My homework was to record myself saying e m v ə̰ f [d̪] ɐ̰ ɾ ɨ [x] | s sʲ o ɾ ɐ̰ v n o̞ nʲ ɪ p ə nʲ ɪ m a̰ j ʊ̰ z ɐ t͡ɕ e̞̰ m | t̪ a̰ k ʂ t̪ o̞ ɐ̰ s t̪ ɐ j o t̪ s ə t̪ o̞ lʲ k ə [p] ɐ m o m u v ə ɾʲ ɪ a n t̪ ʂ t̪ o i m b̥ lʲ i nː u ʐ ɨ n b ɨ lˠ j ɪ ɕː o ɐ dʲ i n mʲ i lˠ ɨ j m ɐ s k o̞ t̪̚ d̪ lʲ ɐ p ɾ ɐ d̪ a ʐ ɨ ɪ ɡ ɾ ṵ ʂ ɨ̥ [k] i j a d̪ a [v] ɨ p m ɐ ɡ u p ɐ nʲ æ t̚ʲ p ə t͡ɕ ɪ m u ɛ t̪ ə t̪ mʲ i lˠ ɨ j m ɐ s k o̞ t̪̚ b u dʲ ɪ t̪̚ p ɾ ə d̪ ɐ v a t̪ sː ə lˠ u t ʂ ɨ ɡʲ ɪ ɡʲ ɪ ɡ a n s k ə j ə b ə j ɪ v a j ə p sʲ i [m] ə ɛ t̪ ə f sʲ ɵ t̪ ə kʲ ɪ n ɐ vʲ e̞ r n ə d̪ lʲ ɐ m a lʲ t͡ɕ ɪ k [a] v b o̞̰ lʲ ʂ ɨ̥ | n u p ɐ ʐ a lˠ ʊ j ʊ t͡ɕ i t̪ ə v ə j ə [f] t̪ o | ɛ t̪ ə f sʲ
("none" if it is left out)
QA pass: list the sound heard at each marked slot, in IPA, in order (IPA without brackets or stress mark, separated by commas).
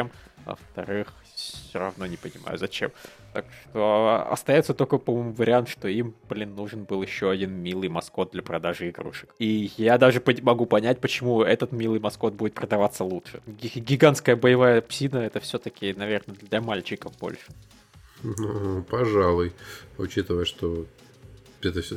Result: t̪, x, p, k, ʐ, n, ə, ʂ